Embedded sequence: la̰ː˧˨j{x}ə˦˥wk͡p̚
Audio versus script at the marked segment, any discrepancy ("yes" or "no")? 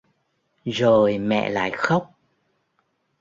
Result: no